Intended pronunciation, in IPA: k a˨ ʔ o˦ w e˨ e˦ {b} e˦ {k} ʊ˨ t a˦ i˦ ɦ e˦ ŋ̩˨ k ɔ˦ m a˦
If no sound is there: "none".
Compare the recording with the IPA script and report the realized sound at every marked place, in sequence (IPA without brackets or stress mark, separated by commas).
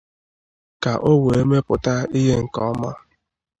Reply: m, p